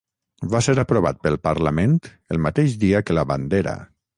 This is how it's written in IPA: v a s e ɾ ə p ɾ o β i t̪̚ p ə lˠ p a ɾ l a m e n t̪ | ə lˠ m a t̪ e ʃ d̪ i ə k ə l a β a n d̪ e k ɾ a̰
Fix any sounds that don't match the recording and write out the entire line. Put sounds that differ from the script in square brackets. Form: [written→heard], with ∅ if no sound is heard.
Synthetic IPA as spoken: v a s e ɾ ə p ɾ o β [i→a] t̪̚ p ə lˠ p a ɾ l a m e n t̪ | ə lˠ m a t̪ e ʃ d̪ i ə k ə l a β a n d̪ e [k→∅] ɾ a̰